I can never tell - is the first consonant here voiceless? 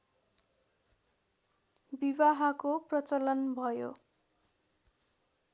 no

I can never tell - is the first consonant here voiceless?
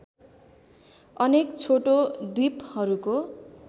no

